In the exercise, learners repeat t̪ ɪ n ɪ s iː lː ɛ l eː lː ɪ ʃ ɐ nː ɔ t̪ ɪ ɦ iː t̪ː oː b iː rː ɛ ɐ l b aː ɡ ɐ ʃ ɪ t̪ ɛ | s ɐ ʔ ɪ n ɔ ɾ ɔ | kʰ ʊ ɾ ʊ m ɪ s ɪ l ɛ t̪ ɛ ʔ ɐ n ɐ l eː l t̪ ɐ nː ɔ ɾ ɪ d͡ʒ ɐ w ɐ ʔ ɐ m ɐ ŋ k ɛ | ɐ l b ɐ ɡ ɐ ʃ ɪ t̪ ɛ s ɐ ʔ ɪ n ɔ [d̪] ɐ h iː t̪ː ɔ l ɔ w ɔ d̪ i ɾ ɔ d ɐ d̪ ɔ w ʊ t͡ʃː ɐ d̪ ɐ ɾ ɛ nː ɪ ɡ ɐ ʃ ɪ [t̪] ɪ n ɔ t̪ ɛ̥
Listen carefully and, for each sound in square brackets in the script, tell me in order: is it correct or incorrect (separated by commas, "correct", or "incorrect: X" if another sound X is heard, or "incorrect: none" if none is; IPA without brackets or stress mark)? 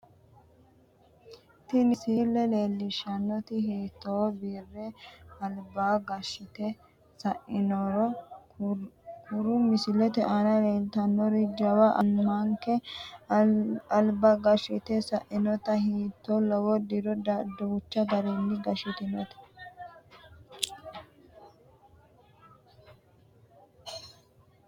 incorrect: t̪, correct